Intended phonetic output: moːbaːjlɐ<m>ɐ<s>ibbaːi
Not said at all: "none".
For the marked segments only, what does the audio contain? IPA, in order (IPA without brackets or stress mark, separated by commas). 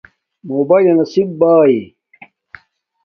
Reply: n, s